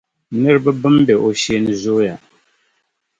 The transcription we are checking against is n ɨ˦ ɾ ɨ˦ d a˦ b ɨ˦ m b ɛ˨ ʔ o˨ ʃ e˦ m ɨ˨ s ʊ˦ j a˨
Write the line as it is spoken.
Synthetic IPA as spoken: n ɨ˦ ɾ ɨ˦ b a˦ b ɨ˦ m b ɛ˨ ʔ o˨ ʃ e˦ n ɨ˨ z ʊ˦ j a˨